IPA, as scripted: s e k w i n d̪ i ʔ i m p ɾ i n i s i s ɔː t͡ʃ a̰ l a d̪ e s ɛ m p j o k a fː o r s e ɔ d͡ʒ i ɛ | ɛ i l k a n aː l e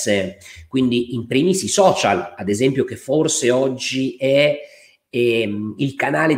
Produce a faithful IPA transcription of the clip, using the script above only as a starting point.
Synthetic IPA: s e k w i n d̪ i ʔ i m p ɾ i m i s i s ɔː t͡ʃ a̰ l a d̪ e z ɛ m p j o k e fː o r s e ɔ d͡ʒː i ɛ | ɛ i l k a n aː l e